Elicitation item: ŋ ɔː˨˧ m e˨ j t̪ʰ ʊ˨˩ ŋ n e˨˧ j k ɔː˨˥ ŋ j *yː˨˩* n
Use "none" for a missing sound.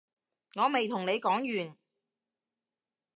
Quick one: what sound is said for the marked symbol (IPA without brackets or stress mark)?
yː˨˩